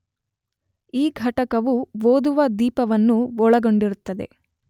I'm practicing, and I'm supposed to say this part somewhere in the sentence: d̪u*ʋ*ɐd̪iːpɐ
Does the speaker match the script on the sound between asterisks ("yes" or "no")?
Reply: yes